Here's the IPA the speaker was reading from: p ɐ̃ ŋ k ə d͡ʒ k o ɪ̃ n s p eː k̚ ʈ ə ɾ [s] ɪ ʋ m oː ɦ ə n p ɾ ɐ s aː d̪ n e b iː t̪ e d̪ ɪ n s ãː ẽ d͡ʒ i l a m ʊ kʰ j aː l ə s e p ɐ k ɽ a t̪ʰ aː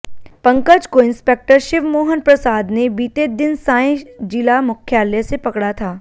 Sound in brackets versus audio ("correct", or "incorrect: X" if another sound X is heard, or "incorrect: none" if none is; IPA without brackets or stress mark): incorrect: ʃ